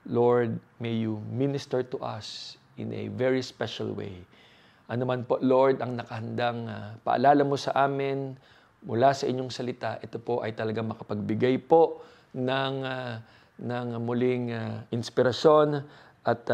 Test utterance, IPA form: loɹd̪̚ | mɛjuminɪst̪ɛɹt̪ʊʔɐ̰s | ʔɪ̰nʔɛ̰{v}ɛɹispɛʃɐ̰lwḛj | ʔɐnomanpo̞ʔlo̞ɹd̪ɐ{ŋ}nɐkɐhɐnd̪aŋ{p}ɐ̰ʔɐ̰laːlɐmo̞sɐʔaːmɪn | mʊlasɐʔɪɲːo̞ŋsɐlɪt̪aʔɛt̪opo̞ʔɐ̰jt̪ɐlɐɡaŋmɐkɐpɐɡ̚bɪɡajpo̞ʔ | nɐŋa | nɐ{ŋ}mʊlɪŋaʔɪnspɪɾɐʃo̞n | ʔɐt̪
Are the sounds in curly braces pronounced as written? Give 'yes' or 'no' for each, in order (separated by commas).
yes, yes, yes, yes